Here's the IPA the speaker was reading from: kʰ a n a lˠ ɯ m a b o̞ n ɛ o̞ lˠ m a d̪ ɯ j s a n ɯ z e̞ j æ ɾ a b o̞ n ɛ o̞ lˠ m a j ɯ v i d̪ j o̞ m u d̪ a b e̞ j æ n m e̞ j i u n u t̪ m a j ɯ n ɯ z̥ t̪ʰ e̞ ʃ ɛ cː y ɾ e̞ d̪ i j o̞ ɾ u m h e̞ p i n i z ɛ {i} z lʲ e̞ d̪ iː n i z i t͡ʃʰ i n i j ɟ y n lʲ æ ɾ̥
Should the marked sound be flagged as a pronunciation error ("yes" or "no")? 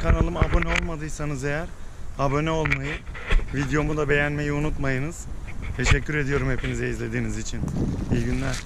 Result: no